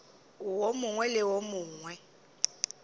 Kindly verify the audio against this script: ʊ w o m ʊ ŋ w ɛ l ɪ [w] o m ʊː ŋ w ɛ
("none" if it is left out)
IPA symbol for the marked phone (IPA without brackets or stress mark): w